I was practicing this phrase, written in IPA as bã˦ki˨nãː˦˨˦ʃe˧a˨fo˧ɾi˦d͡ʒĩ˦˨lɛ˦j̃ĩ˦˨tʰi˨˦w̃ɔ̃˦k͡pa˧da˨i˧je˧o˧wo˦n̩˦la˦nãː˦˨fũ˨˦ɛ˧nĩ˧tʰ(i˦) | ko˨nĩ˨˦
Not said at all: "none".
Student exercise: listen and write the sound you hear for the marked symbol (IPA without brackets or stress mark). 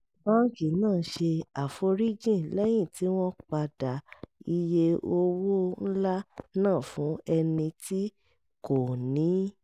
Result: i˦